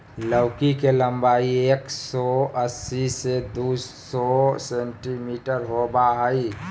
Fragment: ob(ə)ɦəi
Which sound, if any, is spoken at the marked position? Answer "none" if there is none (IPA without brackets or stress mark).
a